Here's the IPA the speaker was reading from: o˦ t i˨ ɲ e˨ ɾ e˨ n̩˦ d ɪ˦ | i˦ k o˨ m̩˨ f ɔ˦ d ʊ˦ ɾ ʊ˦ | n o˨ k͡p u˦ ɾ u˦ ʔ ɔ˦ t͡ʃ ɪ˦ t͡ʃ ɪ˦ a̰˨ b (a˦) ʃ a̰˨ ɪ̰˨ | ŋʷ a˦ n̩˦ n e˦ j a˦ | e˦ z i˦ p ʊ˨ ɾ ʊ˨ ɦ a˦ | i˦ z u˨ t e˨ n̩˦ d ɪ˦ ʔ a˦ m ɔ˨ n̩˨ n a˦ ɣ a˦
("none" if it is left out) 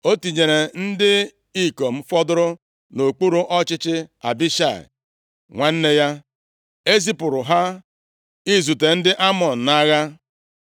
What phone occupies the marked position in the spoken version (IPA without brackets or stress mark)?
i˦